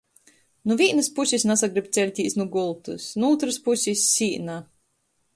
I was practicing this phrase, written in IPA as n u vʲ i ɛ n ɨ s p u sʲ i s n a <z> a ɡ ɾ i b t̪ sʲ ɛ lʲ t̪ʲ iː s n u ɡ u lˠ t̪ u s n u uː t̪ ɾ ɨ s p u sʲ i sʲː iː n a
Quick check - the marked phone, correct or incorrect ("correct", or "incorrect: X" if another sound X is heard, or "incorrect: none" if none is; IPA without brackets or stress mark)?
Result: incorrect: s